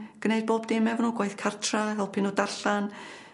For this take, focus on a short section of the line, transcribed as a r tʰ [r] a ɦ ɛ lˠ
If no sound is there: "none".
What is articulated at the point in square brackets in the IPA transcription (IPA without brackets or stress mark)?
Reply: r